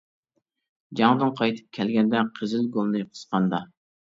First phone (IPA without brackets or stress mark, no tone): d͡ʒ